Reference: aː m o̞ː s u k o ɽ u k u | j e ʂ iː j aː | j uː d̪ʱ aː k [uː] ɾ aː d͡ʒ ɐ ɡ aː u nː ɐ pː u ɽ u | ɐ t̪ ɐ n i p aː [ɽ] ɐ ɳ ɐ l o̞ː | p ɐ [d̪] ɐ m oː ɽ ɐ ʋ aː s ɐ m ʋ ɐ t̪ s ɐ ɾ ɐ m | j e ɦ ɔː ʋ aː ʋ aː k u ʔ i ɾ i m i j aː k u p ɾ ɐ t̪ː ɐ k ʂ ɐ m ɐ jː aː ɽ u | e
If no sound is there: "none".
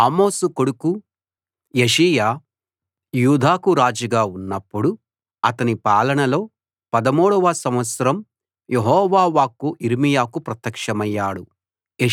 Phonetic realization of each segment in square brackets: u, l, d̪

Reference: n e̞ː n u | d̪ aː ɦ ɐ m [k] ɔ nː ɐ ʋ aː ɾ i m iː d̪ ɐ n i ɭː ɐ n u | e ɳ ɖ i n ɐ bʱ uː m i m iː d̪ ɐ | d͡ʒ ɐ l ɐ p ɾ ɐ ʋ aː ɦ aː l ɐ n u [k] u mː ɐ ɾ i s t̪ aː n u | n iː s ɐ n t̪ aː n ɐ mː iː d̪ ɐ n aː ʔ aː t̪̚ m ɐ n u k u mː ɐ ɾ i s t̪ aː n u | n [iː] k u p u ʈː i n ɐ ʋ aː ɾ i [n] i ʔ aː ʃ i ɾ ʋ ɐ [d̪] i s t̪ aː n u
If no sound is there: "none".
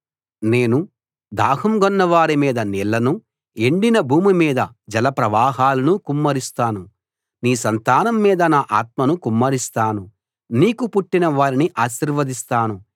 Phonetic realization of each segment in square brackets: ɡ, k, iː, n, d̪

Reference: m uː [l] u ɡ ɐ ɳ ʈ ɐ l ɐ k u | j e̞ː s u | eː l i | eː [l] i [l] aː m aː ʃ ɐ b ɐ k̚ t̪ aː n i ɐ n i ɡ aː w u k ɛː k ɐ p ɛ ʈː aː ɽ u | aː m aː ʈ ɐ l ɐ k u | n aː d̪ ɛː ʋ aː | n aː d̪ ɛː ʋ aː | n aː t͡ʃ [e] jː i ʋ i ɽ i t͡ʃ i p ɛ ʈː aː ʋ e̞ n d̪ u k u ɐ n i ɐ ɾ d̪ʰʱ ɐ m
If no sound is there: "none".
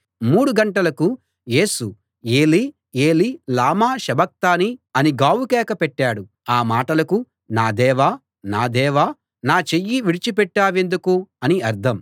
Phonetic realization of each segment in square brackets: ɽ, l, l, e

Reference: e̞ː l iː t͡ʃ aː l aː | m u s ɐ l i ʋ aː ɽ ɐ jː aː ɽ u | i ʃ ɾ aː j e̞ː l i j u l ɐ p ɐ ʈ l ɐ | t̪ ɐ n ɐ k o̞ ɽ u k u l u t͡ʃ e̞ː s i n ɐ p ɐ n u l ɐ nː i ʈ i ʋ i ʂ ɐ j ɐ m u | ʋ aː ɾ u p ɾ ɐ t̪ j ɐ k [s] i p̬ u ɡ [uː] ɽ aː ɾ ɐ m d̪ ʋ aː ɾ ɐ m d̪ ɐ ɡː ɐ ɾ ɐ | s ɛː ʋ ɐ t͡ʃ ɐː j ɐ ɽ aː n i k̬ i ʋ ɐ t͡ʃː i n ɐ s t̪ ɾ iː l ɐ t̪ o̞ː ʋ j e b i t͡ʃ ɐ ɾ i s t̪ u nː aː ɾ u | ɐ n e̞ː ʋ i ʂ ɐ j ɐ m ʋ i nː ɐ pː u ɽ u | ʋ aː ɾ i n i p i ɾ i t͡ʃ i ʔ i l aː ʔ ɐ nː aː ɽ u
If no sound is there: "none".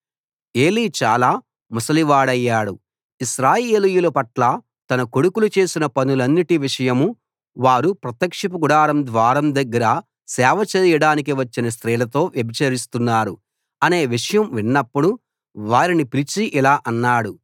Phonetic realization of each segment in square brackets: ʂ, u

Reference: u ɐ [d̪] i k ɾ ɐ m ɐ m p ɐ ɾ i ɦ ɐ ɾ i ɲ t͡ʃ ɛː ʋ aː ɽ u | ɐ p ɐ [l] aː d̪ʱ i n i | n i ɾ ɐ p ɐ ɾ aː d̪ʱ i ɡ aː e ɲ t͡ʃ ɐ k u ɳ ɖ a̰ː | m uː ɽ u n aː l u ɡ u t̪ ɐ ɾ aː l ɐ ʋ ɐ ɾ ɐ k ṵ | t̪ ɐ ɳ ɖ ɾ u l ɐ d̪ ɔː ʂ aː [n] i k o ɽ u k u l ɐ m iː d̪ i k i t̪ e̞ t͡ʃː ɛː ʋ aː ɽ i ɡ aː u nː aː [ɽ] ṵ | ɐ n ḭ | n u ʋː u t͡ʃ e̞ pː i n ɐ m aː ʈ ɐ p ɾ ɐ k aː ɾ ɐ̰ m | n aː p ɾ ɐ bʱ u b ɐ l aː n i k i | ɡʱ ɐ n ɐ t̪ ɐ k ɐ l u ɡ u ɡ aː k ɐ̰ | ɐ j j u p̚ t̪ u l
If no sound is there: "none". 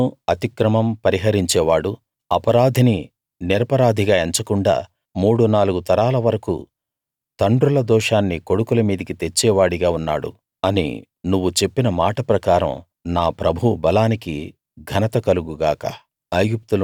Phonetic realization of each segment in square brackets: t̪, ɾ, nː, ɽ

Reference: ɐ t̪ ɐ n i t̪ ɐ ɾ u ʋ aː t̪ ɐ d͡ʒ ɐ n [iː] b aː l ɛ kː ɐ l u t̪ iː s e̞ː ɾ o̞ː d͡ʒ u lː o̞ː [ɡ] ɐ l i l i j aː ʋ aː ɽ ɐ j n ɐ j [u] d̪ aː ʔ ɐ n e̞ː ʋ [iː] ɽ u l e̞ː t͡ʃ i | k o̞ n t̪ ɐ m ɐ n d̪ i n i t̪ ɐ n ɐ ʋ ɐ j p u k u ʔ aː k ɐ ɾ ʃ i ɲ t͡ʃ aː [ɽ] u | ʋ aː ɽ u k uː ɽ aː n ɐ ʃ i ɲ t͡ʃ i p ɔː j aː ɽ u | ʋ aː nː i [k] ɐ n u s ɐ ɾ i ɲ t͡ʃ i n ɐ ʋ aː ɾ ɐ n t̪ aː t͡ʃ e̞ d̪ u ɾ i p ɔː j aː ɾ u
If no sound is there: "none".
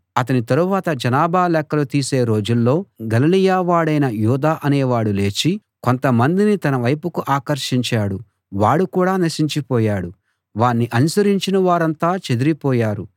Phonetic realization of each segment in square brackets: aː, ɡ, uː, aː, ɽ, ʔ

